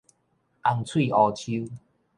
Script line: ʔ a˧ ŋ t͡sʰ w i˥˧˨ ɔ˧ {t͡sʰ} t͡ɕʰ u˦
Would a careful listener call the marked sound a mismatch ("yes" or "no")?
yes